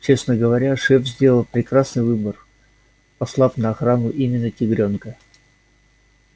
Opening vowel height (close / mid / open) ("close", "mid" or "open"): mid